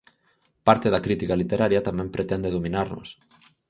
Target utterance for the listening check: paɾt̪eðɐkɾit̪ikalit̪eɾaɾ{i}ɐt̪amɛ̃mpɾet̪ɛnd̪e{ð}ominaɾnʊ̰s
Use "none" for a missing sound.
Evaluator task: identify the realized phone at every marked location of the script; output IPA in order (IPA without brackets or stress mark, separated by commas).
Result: j, ð